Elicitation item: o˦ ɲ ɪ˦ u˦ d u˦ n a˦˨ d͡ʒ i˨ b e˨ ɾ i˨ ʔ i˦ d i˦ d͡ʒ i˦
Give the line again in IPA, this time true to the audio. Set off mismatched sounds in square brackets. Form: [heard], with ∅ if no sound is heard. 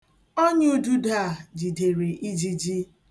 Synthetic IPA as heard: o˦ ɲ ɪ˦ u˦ d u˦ [d] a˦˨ d͡ʒ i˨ [d] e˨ ɾ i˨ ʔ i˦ [d͡ʒ] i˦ d͡ʒ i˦

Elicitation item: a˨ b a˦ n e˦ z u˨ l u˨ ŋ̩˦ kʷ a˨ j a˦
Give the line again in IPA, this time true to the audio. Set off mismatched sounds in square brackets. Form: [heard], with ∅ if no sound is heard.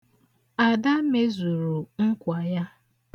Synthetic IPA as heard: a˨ [d] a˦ [m] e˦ z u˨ [ɾ] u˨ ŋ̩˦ kʷ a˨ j a˦

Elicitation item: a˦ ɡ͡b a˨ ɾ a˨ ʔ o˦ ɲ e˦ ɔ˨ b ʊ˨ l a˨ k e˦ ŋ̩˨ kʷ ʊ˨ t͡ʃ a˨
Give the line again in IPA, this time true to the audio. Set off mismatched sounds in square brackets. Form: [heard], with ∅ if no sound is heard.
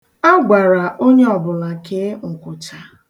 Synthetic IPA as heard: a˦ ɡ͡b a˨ ɾ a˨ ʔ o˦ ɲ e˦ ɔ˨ b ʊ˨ l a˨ k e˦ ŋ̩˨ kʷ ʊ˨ t͡ʃ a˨

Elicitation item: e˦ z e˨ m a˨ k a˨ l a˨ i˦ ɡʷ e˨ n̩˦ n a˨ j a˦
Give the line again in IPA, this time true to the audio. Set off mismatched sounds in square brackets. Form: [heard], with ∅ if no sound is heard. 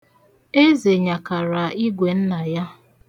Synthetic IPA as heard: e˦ z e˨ [ɲ] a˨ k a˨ [ɾ] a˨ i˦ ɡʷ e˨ n̩˦ n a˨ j a˦

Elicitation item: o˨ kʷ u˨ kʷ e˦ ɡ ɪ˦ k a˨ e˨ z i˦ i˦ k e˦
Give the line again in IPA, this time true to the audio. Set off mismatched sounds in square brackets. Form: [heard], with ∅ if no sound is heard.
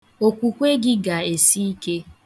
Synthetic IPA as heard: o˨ kʷ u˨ kʷ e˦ ɡ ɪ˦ [ɡ] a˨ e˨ [s] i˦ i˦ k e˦

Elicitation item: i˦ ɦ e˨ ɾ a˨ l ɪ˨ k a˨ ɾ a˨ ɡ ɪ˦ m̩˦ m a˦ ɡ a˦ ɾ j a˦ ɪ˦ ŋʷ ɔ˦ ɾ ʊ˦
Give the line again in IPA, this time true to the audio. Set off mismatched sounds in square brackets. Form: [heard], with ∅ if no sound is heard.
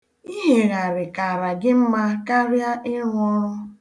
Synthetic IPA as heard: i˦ ɦ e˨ ɾ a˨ [ɾ] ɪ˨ k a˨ ɾ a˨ ɡ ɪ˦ m̩˦ m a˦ [k] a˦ ɾ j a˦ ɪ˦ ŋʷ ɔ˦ ɾ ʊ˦

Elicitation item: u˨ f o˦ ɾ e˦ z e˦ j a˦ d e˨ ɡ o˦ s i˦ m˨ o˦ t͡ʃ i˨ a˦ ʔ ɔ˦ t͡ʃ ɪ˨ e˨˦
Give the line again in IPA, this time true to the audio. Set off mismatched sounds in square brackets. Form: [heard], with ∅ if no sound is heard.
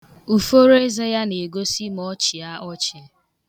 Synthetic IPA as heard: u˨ f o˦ ɾ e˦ z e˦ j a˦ [n] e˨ ɡ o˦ s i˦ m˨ [ɔ˦] t͡ʃ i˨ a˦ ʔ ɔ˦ t͡ʃ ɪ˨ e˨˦

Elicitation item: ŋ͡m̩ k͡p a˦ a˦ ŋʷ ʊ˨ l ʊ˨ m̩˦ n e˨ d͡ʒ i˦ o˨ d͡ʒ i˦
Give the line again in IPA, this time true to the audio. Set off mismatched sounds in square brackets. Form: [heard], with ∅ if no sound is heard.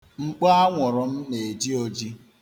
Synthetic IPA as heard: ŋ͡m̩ k͡p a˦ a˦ ŋʷ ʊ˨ [ɾ] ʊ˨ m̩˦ n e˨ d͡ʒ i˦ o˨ d͡ʒ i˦

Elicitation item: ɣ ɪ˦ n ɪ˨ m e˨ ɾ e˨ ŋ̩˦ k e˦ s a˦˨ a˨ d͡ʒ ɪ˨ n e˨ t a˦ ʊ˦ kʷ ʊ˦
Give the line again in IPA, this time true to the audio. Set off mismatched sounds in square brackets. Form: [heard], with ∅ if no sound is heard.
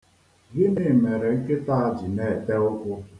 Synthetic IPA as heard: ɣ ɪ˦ n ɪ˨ m e˨ ɾ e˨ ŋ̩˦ k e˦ [t] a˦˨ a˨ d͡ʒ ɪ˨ n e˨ t [e˦] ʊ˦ kʷ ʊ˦

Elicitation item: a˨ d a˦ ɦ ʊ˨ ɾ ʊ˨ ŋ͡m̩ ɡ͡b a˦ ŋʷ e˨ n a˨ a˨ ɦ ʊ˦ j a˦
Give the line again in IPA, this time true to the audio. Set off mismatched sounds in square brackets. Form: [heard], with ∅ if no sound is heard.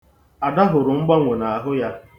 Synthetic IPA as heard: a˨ d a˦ ɦ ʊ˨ ɾ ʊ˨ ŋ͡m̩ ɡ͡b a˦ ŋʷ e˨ n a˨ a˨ ɦ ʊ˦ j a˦

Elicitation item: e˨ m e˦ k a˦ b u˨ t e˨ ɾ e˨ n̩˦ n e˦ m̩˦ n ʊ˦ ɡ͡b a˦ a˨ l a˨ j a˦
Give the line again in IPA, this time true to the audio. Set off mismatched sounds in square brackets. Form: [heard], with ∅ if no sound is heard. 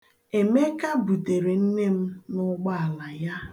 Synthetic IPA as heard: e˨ m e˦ k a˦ b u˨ t e˨ ɾ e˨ n̩˦ n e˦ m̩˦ n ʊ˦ ɡ͡b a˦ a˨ l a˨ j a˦

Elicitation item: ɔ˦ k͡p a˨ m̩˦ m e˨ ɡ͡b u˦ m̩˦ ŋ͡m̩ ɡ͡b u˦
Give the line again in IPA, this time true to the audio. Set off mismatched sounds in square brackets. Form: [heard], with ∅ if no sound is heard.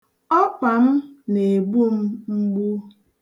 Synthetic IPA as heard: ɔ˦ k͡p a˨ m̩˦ [n] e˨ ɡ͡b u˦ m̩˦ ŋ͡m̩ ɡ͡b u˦

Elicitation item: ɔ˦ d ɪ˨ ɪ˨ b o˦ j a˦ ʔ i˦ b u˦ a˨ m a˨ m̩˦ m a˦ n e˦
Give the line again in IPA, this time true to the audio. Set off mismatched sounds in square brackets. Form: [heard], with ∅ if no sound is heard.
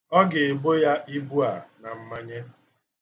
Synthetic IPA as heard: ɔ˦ [ɡ] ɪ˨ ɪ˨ b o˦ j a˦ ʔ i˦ b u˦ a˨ [n] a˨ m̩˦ m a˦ [ɲ] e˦

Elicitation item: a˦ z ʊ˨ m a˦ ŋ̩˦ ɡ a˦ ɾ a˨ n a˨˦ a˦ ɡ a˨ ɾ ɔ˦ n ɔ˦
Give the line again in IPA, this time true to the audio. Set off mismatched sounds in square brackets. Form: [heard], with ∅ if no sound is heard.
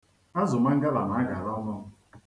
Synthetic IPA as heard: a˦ z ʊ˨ m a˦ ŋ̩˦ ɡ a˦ [l] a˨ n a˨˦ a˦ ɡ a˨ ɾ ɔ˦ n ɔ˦

